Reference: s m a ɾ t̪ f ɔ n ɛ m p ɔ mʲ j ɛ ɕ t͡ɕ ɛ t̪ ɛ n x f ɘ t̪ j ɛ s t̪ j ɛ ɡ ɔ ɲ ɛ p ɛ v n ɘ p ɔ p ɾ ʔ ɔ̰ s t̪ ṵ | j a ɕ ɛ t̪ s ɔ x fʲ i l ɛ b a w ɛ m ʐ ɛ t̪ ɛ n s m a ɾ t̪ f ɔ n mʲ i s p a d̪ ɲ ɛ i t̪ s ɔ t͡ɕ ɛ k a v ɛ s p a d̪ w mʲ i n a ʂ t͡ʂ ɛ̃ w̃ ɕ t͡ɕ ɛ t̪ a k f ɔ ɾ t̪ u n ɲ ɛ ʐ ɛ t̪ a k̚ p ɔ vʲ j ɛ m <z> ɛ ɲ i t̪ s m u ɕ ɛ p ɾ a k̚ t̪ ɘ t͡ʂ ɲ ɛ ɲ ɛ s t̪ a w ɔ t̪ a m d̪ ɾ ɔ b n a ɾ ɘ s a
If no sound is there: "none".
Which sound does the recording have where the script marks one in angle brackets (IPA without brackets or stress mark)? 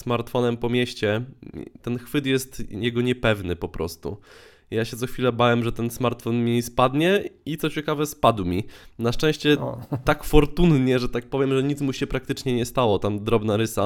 ʐ